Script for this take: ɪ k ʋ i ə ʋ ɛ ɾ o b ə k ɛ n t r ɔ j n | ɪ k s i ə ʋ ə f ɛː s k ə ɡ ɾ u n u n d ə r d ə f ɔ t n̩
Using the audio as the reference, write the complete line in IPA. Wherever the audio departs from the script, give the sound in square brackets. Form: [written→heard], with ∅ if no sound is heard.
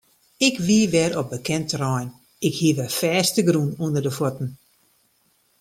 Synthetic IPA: ɪ k ʋ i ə ʋ ɛ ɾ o b ə k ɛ n t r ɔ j n | ɪ k [s→h] i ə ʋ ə f ɛː s [k→t] ə ɡ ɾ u n u n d ə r d ə f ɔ t n̩